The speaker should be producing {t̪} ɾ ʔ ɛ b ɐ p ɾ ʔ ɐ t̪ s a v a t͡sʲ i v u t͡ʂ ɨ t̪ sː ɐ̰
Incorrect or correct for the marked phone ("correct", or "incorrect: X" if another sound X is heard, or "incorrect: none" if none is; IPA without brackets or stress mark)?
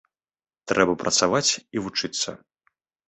correct